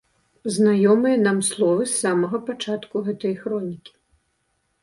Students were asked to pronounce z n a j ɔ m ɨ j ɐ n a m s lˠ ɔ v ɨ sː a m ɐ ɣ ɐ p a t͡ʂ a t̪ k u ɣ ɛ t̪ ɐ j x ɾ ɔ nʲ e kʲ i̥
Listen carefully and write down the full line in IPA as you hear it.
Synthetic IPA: z n a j ɔ m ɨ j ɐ n a m s lˠ ɔ v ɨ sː a m ɐ ɣ ɐ p a t͡ʂ a t̪ k u ɣ ɛ t̪ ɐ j x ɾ ɔ nʲ i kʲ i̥